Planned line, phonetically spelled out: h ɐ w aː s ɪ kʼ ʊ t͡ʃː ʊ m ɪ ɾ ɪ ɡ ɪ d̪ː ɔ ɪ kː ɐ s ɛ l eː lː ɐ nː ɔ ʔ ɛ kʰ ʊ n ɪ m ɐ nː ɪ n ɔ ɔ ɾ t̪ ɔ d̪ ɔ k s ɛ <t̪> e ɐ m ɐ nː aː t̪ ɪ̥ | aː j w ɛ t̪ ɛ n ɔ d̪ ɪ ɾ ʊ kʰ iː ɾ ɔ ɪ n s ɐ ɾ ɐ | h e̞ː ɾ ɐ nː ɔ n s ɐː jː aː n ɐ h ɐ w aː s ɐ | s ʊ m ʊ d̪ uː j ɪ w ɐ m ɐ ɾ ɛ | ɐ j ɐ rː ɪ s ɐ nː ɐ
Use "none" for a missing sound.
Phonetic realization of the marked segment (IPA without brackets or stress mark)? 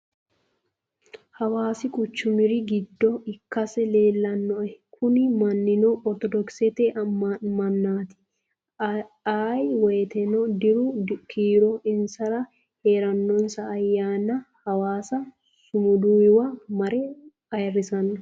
t̪